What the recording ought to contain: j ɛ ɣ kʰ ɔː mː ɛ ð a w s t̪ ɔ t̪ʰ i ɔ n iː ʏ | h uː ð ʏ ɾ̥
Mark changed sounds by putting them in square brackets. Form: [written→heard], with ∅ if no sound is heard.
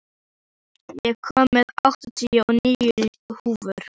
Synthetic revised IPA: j ɛ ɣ kʰ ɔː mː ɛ ð a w [s→h] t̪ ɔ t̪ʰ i ɔ n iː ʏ | h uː [ð→v] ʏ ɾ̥